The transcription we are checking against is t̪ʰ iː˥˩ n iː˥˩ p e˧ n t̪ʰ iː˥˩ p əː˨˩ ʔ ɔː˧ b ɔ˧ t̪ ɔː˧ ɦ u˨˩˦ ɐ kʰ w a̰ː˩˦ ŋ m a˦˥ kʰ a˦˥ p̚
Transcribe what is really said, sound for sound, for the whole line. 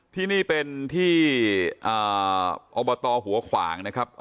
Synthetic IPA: t̪ʰ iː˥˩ n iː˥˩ p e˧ n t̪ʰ iː˥˩ ʔ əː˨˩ ʔ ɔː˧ b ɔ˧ t̪ ɔː˧ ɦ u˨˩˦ ɐ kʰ w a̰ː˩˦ ŋ n a˦˥ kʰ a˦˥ p̚